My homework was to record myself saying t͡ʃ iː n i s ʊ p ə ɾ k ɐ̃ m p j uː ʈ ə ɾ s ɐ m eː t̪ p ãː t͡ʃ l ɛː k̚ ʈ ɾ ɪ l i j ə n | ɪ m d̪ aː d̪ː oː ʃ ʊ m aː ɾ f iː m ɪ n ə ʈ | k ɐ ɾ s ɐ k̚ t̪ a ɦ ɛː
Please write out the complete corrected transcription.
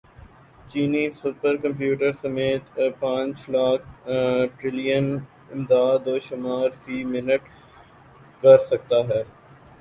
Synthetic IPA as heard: t͡ʃ iː n i s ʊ p ə ɾ k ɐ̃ m p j uː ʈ ə ɾ s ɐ m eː t̪ p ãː t͡ʃ l aː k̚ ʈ ɾ ɪ l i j ə n | ɪ m d̪ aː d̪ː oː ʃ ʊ m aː ɾ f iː m ɪ n ə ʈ | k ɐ ɾ s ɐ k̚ t̪ a ɦ ɛː